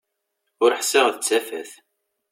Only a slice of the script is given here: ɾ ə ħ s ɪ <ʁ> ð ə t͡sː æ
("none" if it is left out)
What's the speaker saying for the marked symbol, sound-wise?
ʁ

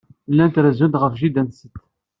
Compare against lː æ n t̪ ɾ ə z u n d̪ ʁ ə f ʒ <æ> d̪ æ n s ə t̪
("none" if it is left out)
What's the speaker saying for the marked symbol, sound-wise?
i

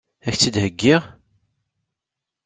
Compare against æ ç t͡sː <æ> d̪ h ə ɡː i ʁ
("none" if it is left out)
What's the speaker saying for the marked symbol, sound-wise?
i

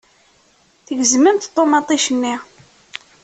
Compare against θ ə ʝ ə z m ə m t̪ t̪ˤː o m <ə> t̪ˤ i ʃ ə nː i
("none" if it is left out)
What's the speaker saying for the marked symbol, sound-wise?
ɑ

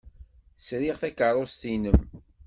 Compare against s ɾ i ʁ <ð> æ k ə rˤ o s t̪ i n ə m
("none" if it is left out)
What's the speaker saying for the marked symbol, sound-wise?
θ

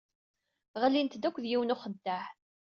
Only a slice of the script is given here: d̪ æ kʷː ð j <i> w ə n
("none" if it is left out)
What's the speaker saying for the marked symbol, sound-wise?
i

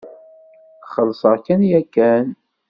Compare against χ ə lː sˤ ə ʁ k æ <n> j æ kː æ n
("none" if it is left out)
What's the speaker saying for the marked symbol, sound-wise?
n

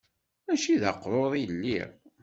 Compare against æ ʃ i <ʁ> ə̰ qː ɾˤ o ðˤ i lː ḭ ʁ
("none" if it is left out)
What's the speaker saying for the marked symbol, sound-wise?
ð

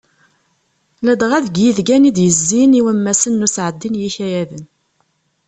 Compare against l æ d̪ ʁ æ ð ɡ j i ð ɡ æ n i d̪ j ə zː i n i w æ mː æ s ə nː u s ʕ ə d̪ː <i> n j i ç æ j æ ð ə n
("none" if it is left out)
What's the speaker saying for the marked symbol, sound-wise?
i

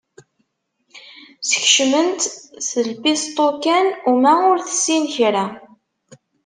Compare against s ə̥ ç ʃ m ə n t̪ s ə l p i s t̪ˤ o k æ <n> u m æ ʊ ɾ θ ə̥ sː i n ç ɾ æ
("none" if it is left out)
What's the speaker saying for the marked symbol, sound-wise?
n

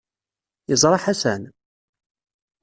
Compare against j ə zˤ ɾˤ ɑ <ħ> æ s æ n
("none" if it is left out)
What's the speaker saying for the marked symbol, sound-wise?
ħ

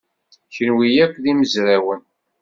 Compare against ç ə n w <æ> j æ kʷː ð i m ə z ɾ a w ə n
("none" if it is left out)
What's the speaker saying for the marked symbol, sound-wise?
i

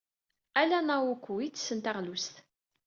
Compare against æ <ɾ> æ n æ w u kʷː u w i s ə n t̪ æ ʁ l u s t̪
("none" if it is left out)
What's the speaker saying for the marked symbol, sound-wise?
l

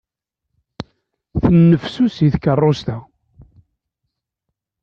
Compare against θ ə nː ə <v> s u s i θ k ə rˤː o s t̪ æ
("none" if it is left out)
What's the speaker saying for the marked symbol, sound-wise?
f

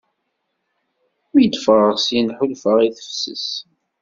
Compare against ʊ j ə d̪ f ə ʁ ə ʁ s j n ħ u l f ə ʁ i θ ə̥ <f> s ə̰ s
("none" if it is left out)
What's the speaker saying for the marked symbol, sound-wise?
f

